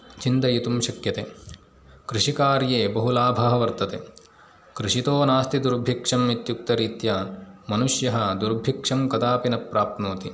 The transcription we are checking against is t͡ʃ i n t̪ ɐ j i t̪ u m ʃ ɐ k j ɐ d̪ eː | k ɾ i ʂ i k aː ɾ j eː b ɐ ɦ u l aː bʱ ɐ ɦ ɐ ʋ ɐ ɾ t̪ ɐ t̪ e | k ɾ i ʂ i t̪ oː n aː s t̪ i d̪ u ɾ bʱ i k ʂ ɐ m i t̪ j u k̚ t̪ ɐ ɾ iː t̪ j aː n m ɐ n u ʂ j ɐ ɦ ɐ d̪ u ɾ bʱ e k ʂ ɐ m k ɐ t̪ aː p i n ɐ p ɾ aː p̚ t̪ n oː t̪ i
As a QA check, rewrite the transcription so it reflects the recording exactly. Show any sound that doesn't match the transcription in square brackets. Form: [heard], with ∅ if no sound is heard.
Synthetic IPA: t͡ʃ i n t̪ ɐ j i t̪ u m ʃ ɐ k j ɐ [t̪] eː | k ɾ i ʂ i k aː ɾ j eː b ɐ ɦ u l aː bʱ ɐ ɦ ɐ ʋ ɐ ɾ t̪ ɐ t̪ e | k ɾ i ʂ i t̪ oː n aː s t̪ i d̪ u ɾ bʱ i k ʂ ɐ m i t̪ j u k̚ t̪ ɐ ɾ iː t̪ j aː n m ɐ n u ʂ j ɐ ɦ ɐ d̪ u ɾ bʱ [i] k ʂ ɐ m k ɐ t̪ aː p i n ɐ p ɾ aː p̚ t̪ n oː t̪ i